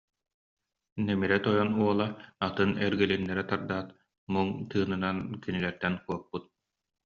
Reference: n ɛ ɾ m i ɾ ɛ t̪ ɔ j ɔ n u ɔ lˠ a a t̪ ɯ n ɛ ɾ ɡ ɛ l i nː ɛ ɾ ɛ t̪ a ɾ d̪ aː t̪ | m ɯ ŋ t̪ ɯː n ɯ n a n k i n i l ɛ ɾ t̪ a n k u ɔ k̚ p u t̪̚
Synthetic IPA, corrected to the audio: n ɛ m i ɾ ɛ t̪ ɔ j ɔ n u ɔ lˠ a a t̪ ɯ n ɛ ɾ ɡ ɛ l i nː ɛ ɾ ɛ t̪ a ɾ d̪ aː t̪ | m u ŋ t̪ ɯː n ɯ n a n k i n i l ɛ ɾ t̪ ɛ n k u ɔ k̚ p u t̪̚